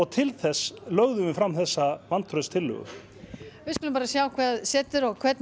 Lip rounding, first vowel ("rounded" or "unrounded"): rounded